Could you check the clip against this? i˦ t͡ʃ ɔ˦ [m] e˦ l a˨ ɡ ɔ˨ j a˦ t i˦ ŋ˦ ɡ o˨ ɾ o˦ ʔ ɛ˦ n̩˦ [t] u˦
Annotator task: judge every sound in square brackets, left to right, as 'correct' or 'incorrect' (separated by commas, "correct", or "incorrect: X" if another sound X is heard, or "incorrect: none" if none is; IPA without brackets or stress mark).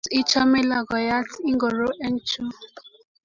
correct, incorrect: t͡ʃ